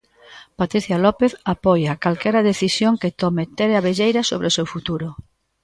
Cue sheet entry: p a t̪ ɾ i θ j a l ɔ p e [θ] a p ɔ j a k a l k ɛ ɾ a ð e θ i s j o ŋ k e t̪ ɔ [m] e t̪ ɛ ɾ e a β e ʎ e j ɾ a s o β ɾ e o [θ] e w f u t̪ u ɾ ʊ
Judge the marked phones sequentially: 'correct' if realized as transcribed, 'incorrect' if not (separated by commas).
correct, correct, incorrect